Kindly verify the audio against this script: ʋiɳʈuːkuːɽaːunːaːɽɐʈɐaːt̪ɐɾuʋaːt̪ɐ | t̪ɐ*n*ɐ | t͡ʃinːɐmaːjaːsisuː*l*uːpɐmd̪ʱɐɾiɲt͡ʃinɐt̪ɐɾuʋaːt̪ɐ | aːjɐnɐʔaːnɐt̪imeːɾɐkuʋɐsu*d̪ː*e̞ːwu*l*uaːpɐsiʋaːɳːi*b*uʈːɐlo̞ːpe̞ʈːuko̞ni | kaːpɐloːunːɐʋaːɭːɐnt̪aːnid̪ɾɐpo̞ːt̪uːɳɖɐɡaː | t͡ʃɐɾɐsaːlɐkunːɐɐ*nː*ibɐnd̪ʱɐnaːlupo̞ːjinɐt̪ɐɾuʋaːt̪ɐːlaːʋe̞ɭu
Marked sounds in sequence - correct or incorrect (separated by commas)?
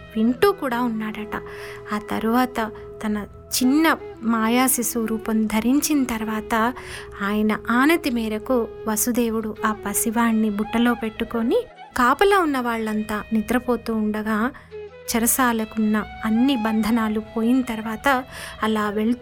correct, incorrect, incorrect, incorrect, correct, correct